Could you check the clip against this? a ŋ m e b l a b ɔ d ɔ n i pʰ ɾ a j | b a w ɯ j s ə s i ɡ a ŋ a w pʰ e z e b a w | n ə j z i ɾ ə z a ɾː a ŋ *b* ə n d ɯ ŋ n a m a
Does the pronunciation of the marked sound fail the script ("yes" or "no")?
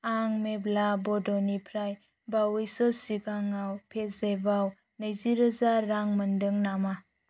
yes